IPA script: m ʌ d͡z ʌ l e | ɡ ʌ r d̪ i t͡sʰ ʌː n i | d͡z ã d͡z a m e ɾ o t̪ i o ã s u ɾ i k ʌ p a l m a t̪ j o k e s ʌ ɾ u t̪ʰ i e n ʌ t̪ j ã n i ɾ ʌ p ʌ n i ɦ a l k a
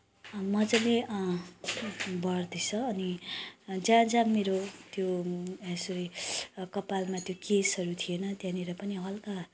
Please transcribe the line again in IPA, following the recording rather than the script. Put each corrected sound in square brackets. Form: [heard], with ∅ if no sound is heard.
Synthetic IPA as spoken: m ʌ d͡z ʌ l e | [b] ʌ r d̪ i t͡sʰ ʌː n i | d͡z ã d͡z a m e ɾ o t̪ [j] o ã s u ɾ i k ʌ p a l m a t̪ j o k e s ʌ ɾ u t̪ʰ i e n ʌ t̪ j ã n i ɾ ʌ p ʌ n i ɦ [ʌ] l k a